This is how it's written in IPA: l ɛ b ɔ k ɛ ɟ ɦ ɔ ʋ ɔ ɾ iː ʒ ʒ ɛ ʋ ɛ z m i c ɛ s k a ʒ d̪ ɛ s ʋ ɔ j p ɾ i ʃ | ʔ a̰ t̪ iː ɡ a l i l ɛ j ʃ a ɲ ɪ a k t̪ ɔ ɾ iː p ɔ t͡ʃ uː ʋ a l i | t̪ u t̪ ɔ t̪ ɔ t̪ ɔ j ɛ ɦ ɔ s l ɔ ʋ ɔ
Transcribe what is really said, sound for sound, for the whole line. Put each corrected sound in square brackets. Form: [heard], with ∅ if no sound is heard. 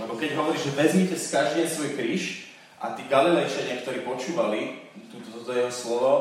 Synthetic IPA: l ɛ b ɔ k ɛ ɟ ɦ ɔ ʋ ɔ ɾ iː ʒ ʒ ɛ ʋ ɛ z m i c ɛ s k a ʒ d̪ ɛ s ʋ ɔ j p ɾ i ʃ | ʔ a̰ t̪ iː ɡ a l i l ɛ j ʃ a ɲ ɪ a k t̪ ɔ ɾ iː p ɔ t͡ʃ uː ʋ a l i | t̪ u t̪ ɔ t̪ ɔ t̪ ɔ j ɛ ɦ ɔ s l ɔ ʋ ɔ